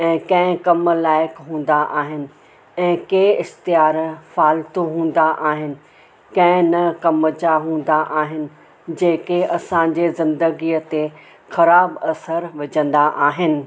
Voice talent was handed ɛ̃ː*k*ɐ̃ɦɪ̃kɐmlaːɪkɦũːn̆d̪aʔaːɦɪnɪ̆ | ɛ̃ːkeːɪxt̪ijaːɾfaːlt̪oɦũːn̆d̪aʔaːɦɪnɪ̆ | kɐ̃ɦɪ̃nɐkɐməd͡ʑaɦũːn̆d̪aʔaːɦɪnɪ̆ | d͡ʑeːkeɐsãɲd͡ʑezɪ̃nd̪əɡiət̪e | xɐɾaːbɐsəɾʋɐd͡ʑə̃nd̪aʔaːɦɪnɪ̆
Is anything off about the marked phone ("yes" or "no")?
no